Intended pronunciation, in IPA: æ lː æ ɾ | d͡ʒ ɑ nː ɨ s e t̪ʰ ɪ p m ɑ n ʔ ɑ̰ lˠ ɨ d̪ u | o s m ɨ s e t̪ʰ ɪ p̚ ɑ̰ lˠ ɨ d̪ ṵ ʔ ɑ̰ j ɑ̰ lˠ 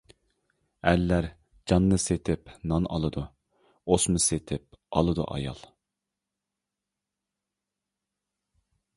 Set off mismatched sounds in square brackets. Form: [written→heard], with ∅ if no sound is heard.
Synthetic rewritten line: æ lː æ ɾ | d͡ʒ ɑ nː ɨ s e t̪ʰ ɪ p [m→n] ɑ n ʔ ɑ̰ lˠ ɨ d̪ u | o s m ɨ s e t̪ʰ ɪ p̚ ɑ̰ lˠ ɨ d̪ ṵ ʔ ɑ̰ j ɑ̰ lˠ